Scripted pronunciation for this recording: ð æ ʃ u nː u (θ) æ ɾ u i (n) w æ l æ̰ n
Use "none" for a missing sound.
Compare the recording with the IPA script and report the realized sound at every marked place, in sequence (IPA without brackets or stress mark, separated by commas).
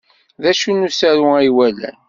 s, none